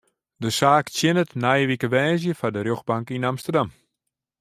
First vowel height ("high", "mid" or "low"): mid